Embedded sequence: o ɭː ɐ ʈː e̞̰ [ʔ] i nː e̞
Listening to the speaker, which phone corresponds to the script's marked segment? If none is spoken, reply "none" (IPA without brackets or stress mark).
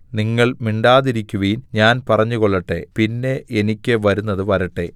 p